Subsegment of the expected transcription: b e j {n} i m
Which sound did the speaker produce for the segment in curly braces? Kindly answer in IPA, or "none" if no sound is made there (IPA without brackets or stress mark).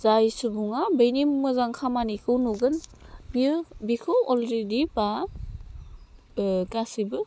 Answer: n